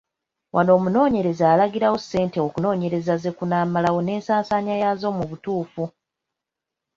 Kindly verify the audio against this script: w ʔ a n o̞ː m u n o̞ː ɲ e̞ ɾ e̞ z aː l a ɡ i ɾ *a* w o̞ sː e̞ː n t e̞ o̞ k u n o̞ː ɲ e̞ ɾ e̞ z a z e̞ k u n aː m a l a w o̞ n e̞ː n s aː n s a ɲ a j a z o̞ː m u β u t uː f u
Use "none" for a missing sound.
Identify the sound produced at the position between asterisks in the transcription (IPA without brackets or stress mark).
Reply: a